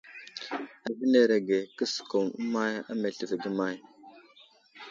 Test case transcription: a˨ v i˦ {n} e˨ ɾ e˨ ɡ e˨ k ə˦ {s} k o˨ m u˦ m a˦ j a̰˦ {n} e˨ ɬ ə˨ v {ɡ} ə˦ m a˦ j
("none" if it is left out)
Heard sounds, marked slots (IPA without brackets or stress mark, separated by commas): n, s, m, ɡ